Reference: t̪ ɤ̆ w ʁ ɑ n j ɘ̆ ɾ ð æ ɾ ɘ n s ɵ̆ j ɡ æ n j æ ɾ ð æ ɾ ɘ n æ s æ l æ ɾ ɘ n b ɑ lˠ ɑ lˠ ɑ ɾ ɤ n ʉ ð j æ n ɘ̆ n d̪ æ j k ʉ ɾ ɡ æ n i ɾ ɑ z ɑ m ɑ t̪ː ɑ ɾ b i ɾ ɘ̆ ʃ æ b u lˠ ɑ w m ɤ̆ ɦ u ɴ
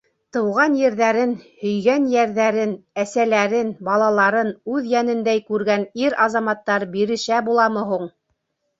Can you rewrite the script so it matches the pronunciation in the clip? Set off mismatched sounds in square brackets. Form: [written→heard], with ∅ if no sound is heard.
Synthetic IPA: t̪ ɤ̆ w ʁ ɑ n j ɘ̆ ɾ ð æ ɾ ɘ n [s→h] ɵ̆ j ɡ æ n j æ ɾ ð æ ɾ ɘ n æ s æ l æ ɾ ɘ n b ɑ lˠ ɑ lˠ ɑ ɾ ɤ n ʉ ð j æ n ɘ̆ n d̪ æ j k ʉ ɾ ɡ æ n i ɾ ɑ z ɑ m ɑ t̪ː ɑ ɾ b i ɾ ɘ̆ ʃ æ b u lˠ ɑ [w→∅] m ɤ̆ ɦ u ɴ